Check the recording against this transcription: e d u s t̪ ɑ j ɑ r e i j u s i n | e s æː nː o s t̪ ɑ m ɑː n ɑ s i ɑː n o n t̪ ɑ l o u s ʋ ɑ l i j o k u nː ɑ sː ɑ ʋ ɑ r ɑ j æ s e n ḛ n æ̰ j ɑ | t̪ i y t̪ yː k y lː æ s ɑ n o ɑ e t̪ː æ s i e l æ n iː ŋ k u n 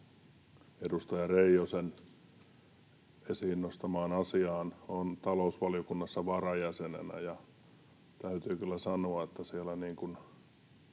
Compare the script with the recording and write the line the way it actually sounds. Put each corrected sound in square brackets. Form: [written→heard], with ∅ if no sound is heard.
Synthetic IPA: e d u s t̪ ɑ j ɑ r e i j [u→o] s [i→e] n | e s [æː→iː] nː o s t̪ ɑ m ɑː n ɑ s i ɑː n o n t̪ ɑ l o u s ʋ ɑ l i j o k u nː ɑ sː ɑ ʋ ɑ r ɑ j æ s e n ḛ n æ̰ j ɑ | t̪ [i→æ] y t̪ yː k y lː æ s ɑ n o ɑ e t̪ː æ s i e l æ n iː ŋ k u n